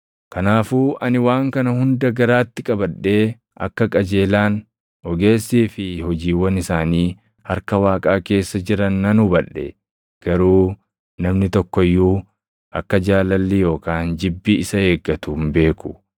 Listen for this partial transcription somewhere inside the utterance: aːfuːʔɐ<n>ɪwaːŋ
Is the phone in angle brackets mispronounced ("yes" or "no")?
no